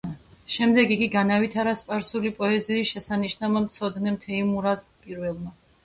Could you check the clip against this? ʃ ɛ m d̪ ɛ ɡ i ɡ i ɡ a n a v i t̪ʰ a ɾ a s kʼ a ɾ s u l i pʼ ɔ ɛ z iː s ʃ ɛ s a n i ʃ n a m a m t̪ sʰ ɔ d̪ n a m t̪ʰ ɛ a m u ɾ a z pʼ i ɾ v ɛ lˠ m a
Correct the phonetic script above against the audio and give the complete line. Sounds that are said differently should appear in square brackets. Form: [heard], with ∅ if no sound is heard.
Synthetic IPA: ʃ ɛ m d̪ ɛ ɡ i ɡ i ɡ a n a v i t̪ʰ a ɾ a s [pʼ] a ɾ s u l i pʼ ɔ ɛ z iː s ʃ ɛ s a n i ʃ n a m a m t̪ sʰ ɔ d̪ n [ɛ] m t̪ʰ ɛ [i] m u ɾ a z pʼ i ɾ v ɛ lˠ m a